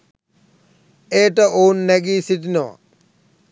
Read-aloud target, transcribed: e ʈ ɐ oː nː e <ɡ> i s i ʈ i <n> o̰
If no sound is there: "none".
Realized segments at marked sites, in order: ɡ, n

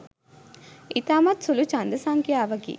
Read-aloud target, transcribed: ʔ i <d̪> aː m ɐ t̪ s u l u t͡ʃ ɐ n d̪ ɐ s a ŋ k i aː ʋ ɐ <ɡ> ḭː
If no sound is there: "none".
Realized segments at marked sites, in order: t̪, ɡ

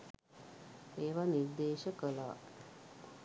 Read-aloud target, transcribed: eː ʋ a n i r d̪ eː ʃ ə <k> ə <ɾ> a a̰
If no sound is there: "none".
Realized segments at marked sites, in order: k, l

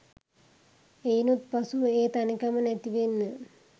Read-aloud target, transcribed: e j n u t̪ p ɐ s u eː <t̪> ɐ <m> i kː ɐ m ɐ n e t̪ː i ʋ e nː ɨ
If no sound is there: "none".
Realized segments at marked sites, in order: t̪, n

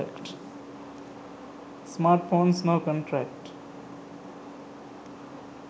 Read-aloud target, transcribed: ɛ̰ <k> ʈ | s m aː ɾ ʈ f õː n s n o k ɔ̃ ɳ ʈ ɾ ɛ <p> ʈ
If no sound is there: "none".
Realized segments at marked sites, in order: k, k

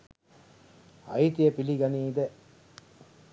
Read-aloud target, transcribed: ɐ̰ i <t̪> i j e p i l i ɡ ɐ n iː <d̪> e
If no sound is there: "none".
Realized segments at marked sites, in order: t̪, d̪

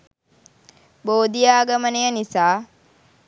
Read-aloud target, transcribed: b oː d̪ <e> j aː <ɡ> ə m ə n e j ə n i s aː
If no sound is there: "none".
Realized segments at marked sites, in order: i, ɡ

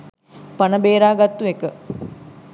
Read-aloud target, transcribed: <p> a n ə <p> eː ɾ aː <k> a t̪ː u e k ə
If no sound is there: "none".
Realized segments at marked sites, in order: p, b, ɡ

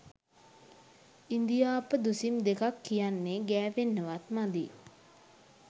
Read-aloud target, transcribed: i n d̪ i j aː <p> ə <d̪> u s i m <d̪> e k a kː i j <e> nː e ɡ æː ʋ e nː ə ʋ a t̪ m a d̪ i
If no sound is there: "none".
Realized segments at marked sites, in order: p, d̪, d̪, a

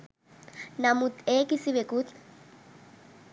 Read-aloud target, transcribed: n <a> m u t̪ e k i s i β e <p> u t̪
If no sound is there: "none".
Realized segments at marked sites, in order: a, k

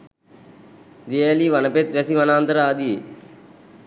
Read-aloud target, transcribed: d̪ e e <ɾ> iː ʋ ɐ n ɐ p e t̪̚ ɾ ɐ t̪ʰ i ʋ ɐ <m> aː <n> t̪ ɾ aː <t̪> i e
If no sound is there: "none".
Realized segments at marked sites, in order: l, n, n, d̪

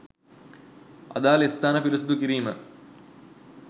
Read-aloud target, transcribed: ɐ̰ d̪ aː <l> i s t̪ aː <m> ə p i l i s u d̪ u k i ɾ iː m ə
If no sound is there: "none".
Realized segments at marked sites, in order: l, n

